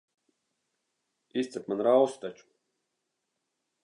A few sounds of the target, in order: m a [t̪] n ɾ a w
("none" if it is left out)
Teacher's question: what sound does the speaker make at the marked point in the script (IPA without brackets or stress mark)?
none